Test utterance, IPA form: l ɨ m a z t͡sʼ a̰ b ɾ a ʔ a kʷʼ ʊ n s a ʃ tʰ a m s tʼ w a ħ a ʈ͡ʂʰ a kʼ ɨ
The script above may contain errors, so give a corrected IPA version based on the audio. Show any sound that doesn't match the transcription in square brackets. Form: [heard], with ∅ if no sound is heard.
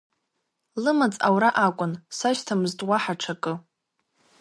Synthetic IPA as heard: l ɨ m a [∅] t͡sʼ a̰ [w] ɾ a ʔ a kʷʼ ʊ n s a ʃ tʰ a m [z] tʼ w a ħ a ʈ͡ʂʰ a kʼ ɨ